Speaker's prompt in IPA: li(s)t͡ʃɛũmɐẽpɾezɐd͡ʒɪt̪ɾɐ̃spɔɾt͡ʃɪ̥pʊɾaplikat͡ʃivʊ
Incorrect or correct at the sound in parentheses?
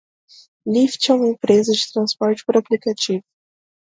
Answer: incorrect: f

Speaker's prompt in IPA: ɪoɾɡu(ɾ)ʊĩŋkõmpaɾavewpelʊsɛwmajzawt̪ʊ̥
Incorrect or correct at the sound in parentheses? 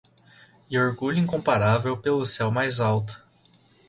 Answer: incorrect: ʎ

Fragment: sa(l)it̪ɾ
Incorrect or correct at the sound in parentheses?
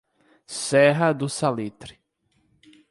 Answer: correct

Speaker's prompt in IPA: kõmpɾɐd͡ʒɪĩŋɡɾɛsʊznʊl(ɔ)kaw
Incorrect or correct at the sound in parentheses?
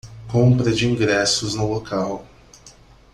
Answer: incorrect: o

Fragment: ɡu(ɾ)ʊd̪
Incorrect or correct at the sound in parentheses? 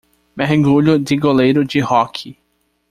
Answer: incorrect: ʎ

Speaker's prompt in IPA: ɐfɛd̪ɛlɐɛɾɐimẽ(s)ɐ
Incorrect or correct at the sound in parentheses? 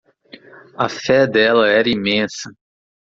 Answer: correct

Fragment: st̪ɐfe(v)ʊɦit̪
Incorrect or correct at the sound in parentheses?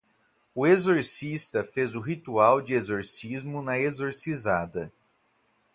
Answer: incorrect: z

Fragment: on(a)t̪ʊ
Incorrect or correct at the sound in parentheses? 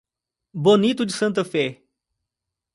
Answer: incorrect: i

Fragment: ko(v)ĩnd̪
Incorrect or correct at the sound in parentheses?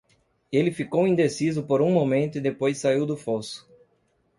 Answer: incorrect: w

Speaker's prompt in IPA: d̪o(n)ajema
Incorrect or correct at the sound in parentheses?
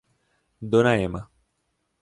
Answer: correct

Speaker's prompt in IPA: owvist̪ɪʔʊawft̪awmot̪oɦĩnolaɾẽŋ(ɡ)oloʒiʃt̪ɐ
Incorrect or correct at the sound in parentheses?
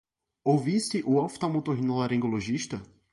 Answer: correct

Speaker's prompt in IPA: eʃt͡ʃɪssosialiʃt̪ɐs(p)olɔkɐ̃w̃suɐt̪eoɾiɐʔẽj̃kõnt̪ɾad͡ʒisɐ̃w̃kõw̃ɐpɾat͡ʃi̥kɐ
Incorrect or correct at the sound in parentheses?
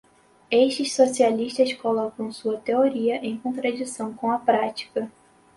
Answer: incorrect: k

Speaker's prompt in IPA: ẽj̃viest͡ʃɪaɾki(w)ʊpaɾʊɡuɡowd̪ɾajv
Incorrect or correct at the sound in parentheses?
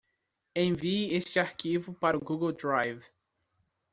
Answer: incorrect: v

